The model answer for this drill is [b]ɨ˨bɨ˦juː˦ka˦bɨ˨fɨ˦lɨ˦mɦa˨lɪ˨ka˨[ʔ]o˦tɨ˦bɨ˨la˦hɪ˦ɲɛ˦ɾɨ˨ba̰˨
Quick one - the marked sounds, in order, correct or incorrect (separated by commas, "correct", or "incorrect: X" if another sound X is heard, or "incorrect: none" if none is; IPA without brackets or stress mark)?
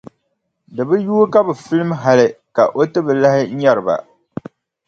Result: incorrect: d, correct